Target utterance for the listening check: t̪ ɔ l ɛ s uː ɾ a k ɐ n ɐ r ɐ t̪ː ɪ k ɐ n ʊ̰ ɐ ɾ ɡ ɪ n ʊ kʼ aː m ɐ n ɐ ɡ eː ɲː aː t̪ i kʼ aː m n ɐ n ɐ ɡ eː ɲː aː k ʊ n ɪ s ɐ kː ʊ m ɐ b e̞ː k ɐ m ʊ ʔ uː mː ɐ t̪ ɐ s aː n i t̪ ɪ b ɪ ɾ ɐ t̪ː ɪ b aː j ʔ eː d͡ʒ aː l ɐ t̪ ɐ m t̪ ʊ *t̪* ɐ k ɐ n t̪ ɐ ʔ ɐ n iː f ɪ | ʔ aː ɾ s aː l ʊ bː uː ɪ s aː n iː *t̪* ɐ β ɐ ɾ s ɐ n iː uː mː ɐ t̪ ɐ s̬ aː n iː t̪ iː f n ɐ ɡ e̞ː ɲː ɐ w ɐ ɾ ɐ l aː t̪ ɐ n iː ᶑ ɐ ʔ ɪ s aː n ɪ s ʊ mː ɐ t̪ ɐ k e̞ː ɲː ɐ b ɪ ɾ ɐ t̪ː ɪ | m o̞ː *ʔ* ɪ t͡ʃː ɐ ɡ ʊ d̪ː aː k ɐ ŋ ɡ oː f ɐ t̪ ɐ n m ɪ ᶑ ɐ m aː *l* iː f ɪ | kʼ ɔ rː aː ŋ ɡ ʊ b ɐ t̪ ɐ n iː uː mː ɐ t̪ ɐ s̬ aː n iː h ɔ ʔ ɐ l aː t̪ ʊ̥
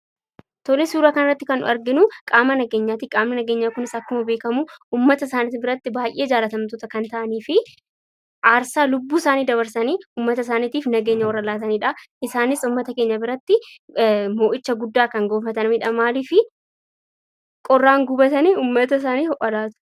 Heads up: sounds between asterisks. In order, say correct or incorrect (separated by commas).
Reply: correct, incorrect, correct, correct